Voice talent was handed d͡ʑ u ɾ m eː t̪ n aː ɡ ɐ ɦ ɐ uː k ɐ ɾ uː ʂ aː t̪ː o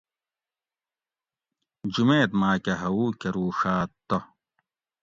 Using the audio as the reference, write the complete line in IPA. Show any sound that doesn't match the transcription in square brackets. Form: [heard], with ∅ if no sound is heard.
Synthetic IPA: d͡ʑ u [∅] m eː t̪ [m] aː [k] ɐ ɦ ɐ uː k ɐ ɾ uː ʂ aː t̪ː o